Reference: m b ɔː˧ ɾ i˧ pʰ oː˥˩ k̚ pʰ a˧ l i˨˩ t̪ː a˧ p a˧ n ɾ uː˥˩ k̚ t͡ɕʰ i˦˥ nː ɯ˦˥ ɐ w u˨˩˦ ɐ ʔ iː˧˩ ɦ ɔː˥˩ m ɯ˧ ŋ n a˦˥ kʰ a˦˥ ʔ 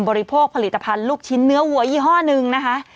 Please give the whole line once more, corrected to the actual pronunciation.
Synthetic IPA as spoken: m b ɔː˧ ɾ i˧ pʰ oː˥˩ k̚ pʰ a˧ l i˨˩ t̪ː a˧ pʰ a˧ n l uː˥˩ k̚ t͡ɕʰ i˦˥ nː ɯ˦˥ ɐ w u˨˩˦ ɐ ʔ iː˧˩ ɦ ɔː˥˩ n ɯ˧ ŋ n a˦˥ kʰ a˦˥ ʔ